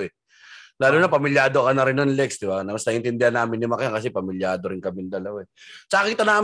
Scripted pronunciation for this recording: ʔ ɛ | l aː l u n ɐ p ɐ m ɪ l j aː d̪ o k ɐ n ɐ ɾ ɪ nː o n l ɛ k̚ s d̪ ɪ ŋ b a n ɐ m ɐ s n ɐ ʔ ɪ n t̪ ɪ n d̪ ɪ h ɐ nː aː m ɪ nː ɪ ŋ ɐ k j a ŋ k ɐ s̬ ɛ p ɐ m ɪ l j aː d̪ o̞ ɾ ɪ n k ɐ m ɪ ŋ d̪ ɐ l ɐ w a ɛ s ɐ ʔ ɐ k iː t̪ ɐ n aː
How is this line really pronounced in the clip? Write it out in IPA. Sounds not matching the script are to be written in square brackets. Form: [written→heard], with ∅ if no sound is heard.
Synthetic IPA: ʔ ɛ | l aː l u n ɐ p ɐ m ɪ l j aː d̪ o k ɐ n ɐ ɾ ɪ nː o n l ɛ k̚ s d̪ ɪ [ŋ→∅] b a n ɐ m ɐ s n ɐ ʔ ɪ n t̪ ɪ n d̪ ɪ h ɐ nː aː m ɪ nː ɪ [ŋ→m] ɐ k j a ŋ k ɐ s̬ ɛ p ɐ m ɪ l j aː d̪ o̞ ɾ ɪ n k ɐ m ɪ [ŋ→n] d̪ ɐ l ɐ w a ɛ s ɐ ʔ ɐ k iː t̪ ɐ n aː